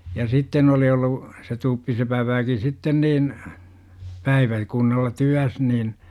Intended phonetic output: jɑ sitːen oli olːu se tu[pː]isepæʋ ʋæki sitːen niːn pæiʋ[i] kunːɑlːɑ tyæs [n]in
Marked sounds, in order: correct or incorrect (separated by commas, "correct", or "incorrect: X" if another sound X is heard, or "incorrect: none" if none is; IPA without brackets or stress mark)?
correct, incorrect: æ, correct